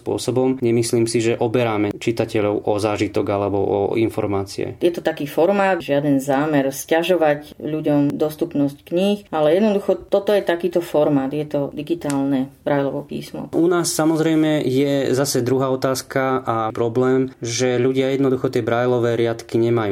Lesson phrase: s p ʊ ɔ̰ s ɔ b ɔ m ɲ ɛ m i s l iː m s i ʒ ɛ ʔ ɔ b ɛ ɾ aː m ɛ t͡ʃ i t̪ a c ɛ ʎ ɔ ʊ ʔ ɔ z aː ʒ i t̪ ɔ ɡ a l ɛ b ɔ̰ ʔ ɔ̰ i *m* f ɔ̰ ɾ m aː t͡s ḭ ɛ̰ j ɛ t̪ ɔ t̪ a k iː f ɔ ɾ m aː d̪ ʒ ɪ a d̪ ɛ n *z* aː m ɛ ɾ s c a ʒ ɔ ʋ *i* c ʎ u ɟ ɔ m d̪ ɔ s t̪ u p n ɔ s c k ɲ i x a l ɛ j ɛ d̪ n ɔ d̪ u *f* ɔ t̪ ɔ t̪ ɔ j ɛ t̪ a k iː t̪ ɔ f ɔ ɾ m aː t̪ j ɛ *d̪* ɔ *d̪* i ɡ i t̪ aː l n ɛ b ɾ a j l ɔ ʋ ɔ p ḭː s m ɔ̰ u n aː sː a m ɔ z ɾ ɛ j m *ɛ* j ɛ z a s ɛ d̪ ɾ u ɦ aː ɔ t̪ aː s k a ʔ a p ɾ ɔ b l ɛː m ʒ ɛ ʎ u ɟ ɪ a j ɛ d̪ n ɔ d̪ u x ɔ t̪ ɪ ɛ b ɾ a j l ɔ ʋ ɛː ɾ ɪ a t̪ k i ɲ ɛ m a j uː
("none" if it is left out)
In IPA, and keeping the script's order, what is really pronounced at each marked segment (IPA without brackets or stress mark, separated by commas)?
n, z, a, x, t̪, d̪, ɛ